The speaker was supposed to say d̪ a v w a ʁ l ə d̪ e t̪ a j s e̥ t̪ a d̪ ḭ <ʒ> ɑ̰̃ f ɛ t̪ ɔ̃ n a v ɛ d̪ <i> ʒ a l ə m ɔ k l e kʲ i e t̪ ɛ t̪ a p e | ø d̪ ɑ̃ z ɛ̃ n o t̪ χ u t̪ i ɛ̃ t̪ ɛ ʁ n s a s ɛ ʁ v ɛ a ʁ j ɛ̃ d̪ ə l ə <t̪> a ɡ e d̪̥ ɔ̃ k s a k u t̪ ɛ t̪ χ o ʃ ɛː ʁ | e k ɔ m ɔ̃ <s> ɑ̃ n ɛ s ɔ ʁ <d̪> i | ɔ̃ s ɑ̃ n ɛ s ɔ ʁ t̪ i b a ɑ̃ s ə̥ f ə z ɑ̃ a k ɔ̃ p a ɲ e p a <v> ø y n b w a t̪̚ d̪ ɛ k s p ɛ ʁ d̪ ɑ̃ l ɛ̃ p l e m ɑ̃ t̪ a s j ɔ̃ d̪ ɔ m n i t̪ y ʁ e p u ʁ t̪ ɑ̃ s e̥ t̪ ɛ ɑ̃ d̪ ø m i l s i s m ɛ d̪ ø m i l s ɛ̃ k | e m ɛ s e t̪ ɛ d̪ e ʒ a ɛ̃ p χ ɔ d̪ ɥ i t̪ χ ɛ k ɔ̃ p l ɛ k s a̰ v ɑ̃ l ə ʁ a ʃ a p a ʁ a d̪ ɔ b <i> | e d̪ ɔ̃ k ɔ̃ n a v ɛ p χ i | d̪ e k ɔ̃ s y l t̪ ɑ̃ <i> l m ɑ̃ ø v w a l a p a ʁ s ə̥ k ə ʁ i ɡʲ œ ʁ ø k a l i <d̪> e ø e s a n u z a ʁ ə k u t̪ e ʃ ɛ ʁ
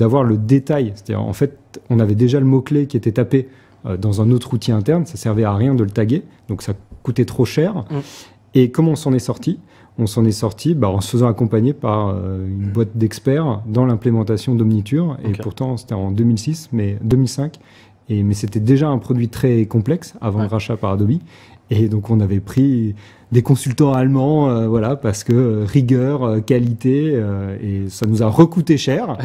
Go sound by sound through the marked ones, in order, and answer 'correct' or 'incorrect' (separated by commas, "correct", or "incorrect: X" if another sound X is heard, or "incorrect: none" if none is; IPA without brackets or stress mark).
incorrect: ʁ, incorrect: e, correct, correct, incorrect: t̪, incorrect: ʁ, correct, incorrect: a, incorrect: t̪